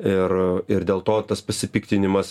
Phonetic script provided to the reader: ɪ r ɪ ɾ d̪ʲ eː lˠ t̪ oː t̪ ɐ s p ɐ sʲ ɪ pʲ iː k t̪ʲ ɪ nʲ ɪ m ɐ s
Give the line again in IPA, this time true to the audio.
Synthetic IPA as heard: ɪ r ɪ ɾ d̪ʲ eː lˠ t̪ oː t̪ ɐ s p ɐ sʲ ɪ pʲ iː k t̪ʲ ɪ nʲ ɪ m ɐ s